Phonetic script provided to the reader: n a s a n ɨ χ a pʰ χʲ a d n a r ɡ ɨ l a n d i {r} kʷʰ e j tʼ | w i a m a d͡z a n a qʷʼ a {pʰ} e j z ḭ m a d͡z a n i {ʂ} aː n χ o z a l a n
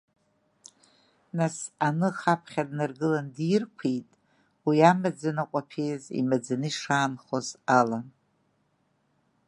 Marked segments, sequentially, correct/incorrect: correct, correct, correct

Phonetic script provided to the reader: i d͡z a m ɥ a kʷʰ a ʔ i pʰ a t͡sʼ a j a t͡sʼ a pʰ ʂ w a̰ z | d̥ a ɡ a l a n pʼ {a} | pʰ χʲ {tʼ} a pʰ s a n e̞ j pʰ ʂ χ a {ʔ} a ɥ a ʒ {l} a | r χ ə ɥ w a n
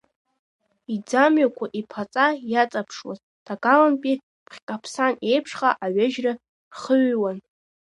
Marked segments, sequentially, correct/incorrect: incorrect, incorrect, correct, incorrect

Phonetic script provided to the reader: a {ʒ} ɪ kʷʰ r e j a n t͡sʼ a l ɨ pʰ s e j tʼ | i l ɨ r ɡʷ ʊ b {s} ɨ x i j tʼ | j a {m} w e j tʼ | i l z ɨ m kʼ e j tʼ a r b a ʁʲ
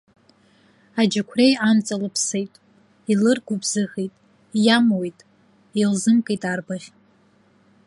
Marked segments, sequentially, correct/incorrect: incorrect, incorrect, correct

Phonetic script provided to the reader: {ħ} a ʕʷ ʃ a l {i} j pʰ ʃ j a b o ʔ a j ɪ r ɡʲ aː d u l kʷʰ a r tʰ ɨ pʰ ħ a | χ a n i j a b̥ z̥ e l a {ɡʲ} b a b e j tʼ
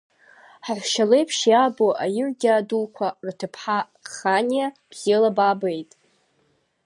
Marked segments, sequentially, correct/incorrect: correct, incorrect, incorrect

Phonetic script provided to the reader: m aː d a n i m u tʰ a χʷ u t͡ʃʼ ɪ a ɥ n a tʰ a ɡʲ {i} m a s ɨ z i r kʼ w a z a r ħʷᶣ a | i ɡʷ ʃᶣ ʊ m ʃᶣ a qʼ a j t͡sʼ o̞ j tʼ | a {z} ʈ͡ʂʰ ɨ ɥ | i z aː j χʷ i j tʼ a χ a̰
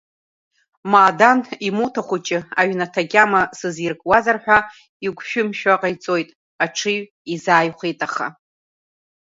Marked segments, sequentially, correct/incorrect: incorrect, incorrect

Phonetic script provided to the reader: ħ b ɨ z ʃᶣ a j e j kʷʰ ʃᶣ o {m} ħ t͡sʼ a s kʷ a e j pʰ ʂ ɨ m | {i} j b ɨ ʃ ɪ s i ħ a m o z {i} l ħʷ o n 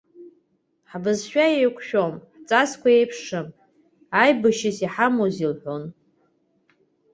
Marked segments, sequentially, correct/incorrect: correct, incorrect, correct

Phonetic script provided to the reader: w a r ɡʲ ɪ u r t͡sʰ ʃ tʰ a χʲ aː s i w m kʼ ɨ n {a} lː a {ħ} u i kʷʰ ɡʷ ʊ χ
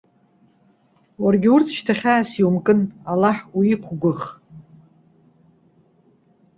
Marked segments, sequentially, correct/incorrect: correct, correct

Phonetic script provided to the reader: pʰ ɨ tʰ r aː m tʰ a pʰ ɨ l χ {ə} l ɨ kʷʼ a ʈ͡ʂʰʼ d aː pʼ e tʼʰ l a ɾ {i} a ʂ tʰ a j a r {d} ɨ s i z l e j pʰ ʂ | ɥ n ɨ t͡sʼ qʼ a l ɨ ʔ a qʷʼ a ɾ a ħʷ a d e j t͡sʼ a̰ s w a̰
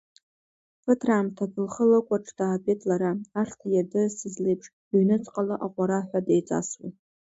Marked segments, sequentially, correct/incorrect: correct, incorrect, correct

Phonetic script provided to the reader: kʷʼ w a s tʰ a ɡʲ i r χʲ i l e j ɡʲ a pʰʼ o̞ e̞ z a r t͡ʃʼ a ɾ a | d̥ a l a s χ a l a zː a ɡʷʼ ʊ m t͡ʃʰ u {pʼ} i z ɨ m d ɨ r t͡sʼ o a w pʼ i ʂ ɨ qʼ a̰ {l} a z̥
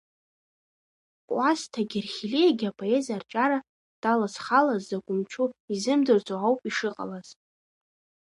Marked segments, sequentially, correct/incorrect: incorrect, correct

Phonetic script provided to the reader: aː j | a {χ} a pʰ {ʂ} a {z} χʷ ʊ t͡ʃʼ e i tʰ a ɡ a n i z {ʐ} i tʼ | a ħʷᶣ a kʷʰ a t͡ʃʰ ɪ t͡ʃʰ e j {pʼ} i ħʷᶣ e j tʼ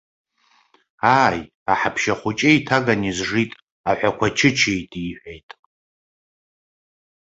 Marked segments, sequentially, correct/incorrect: incorrect, incorrect, incorrect, correct, incorrect

